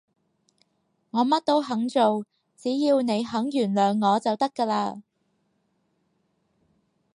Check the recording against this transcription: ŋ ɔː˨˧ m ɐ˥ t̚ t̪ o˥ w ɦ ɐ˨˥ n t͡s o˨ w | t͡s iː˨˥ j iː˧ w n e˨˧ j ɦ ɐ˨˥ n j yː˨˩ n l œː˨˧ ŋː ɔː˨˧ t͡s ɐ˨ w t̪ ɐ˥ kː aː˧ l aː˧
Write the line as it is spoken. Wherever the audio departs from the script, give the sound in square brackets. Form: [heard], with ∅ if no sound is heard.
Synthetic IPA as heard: ŋ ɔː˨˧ m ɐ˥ t̚ t̪ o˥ w ɦ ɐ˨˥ [ŋ] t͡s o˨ w | t͡s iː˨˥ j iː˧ w n e˨˧ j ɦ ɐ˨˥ [ŋ] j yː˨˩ n l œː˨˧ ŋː ɔː˨˧ t͡s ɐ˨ w t̪ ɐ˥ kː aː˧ l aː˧